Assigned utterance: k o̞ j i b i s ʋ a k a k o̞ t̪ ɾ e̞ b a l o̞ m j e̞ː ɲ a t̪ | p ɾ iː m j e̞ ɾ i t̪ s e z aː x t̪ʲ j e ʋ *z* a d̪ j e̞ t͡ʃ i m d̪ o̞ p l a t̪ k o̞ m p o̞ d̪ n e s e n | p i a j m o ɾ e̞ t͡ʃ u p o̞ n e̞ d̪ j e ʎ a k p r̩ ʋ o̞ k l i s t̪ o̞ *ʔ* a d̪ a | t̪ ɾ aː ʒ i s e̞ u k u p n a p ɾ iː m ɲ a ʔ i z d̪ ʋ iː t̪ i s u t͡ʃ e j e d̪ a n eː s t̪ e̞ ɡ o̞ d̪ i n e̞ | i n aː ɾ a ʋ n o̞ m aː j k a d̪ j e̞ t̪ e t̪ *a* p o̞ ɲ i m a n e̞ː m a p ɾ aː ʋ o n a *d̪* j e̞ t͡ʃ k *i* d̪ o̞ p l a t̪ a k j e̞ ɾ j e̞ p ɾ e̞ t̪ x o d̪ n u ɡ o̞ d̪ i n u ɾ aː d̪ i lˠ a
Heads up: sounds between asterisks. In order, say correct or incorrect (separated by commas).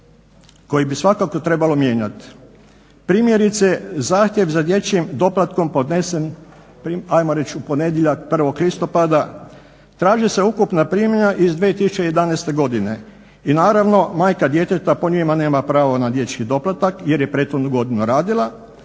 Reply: correct, incorrect, correct, correct, correct